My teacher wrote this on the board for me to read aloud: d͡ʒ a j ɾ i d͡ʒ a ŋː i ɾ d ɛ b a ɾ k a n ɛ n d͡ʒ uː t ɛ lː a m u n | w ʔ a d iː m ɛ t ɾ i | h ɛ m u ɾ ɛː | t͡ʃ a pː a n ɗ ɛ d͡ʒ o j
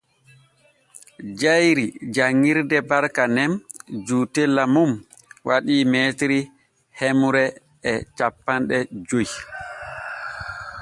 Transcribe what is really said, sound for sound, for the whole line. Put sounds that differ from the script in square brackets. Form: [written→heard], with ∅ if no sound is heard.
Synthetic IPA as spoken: d͡ʒ a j ɾ i d͡ʒ a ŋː i ɾ d ɛ b a ɾ k a n ɛ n d͡ʒ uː t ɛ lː a m u [n→m] | w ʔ a [d→ɗ] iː m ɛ t ɾ i | h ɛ m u ɾ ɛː | t͡ʃ a pː a n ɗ ɛ d͡ʒ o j